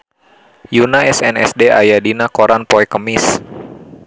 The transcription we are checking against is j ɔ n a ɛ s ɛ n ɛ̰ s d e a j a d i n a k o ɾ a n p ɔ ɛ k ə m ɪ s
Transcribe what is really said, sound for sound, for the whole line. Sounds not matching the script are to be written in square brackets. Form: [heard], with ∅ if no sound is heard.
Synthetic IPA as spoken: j [u] n a ɛ s ɛ n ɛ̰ s d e a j a d i n a k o ɾ a n p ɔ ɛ k ə m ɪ s